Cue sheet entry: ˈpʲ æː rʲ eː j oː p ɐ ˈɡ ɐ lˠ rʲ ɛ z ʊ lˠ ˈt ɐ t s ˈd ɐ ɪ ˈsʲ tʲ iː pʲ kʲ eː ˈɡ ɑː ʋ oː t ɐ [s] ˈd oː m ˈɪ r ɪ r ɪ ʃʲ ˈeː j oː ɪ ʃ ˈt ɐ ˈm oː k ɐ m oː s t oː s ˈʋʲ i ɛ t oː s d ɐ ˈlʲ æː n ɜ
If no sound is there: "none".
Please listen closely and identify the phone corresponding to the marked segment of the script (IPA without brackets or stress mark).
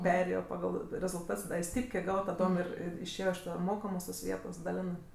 none